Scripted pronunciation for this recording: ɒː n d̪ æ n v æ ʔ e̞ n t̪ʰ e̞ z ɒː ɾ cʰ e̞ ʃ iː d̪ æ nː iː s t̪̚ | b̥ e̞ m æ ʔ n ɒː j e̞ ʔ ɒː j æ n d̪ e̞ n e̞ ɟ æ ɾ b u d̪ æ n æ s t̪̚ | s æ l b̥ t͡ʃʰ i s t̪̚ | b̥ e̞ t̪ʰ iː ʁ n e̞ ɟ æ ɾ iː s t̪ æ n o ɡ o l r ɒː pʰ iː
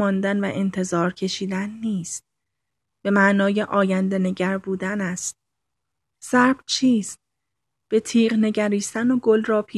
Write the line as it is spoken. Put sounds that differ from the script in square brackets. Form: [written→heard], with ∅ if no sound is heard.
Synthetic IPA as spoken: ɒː n d̪ æ n v æ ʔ e̞ n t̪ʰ e̞ z ɒː ɾ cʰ e̞ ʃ iː d̪ æ nː iː s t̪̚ | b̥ e̞ m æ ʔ n ɒː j e̞ ʔ ɒː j æ n d̪ e̞ n e̞ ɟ æ ɾ b [u→uː] d̪ æ n æ s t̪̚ | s æ [l→ɾ] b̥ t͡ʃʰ [i→iː] s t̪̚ | b̥ e̞ t̪ʰ iː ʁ n e̞ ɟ æ ɾ iː s t̪ æ n o ɡ o l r ɒː pʰ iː